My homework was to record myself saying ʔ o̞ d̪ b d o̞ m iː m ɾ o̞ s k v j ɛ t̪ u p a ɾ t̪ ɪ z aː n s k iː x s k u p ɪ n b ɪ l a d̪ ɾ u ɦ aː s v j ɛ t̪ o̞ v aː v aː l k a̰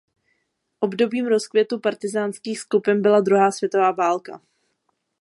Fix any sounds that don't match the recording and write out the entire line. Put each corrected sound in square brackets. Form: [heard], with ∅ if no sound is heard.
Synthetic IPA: ʔ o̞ [∅] b d o̞ [b] iː m ɾ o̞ s k v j ɛ t̪ u p a ɾ t̪ ɪ z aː n s k iː x s k u p ɪ n b ɪ l a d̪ ɾ u ɦ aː s v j ɛ t̪ o̞ v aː v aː l k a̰